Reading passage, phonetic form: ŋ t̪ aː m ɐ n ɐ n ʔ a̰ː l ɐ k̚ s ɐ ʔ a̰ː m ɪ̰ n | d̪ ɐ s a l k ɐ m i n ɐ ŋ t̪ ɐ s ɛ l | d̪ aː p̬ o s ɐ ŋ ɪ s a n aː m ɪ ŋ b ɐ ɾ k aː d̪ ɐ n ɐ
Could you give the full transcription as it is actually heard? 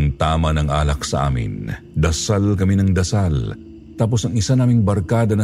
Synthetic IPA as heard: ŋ t̪ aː m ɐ n ɐ ŋ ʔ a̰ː l ɐ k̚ s ɐ ʔ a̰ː m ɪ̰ n | d̪ ɐ s a l k ɐ m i n ɐ ŋ d̪ ɐ s a l | t̪ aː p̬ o s ɐ ŋ ɪ s a n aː m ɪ ŋ b ɐ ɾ k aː d̪ ɐ n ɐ